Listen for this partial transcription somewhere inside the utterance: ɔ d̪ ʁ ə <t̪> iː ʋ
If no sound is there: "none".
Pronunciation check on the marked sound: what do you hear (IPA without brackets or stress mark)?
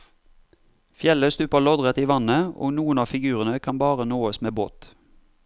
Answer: t̪